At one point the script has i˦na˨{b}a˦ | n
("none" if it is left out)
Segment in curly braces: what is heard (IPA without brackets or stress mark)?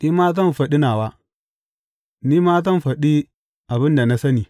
w